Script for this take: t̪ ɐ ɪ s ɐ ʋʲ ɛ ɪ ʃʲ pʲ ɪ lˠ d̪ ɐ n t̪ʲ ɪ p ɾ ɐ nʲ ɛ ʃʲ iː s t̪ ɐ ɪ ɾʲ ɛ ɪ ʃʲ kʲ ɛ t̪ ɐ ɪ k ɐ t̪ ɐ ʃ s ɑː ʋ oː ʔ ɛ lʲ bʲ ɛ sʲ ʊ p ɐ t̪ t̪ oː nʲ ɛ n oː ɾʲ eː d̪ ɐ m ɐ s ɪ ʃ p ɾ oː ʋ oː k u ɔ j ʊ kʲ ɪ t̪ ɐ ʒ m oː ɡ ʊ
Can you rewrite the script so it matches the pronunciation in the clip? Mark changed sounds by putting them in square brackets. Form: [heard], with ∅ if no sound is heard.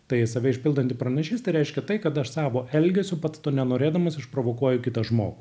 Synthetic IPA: t̪ ɐ ɪ s ɐ ʋʲ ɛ ɪ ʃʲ pʲ ɪ lˠ d̪ ɐ n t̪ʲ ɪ p ɾ ɐ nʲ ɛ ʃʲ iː s t̪ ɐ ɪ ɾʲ ɛ ɪ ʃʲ kʲ ɛ t̪ ɐ ɪ k ɐ t̪ ɐ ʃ s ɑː ʋ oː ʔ ɛ lʲ [ɡʲ] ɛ sʲ ʊ p ɐ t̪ t̪ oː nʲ ɛ n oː ɾʲ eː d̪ ɐ m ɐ s ɪ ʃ p ɾ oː ʋ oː k u ɔ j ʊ kʲ ɪ t̪ ɐ ʒ m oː ɡ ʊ